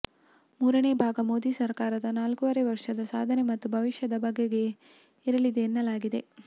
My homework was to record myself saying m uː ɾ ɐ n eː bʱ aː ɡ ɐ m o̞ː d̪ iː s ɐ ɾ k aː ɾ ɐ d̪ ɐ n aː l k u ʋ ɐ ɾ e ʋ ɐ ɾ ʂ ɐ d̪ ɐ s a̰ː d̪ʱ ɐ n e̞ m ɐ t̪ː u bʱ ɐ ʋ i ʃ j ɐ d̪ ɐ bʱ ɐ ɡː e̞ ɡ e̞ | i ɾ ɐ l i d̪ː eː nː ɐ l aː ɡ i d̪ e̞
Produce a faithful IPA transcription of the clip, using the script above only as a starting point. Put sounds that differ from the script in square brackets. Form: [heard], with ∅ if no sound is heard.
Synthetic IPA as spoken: m uː ɾ ɐ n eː bʱ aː ɡ ɐ m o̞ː d̪ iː s ɐ ɾ k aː ɾ ɐ d̪ ɐ n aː l k u ʋ ɐ ɾ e ʋ ɐ ɾ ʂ ɐ d̪ ɐ s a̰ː d̪ʱ ɐ n e̞ m ɐ t̪ː u bʱ ɐ ʋ i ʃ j ɐ d̪ ɐ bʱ ɐ ɡː e̞ ɡ e̞ | i ɾ ɐ l i [d̪] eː nː ɐ l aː ɡ i d̪ e̞